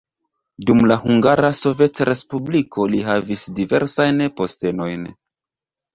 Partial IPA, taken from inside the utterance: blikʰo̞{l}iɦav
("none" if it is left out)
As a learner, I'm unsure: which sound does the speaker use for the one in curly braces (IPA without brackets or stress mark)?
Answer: l